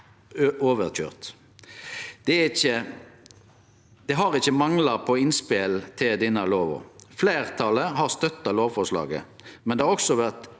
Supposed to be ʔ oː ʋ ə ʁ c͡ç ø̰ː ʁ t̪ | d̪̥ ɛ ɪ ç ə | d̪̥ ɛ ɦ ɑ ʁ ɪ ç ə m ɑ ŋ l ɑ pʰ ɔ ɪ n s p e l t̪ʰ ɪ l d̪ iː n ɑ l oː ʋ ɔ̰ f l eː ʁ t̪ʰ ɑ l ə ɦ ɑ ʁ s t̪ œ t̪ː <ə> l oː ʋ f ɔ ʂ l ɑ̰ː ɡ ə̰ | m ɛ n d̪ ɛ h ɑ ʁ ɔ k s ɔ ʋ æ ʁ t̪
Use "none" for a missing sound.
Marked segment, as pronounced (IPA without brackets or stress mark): ɑ